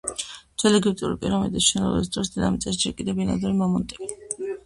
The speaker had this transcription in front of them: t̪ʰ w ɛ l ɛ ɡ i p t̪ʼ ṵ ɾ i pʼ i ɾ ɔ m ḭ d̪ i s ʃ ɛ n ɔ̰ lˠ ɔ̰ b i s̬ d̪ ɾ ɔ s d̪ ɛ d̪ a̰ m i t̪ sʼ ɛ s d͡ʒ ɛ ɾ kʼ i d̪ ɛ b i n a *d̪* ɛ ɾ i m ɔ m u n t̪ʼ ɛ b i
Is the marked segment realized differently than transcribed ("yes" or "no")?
no